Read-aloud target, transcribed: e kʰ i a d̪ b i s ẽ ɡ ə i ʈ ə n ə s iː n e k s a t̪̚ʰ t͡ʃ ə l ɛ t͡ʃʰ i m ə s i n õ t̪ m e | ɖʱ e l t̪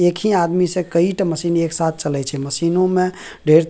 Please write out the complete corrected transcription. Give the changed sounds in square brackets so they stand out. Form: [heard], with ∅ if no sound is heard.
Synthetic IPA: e kʰ i a d̪ [m] i s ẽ [k] ə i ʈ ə [m] ə s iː n e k s a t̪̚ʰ t͡ʃ ə l ɛ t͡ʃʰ [ɛ] m ə s i n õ [∅] m e | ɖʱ e [ɾ] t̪